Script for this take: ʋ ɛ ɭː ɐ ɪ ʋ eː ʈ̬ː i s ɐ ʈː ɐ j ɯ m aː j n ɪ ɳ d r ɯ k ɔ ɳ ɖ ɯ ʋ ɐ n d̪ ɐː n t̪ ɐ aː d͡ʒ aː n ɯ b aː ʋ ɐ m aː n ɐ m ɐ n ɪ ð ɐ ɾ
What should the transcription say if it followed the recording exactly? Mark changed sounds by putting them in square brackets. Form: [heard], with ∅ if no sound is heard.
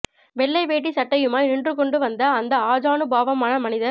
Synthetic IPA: ʋ ɛ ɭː ɐ ɪ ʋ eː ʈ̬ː i s ɐ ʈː ɐ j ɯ m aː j n ɪ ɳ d r ɯ k ɔ ɳ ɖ ɯ ʋ ɐ n d̪ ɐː n [d̪] ɐ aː d͡ʒ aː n ɯ b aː ʋ ɐ m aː n ɐ m ɐ n ɪ ð ɐ ɾ